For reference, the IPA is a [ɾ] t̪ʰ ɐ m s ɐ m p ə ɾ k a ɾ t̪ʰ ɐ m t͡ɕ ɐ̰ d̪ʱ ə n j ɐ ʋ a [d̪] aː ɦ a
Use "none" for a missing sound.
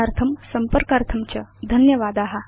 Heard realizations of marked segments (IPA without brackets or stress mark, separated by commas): ɾ, d̪